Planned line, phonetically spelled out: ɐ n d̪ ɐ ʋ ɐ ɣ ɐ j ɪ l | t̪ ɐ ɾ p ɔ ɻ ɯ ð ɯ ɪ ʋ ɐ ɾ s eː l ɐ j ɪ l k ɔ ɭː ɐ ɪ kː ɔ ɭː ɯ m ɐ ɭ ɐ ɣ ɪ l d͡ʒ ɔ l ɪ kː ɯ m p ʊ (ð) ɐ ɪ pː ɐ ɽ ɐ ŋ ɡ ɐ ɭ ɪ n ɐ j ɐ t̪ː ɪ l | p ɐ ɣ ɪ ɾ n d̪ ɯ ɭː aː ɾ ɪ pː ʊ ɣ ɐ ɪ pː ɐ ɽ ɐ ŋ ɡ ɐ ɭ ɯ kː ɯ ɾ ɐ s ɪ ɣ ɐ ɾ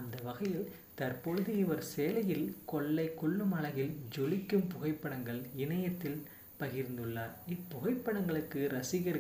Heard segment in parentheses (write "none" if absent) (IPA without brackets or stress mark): ɣ